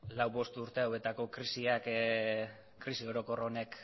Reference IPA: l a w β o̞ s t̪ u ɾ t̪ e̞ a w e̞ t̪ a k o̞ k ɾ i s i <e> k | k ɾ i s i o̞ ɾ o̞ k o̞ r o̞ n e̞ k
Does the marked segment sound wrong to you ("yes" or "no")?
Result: yes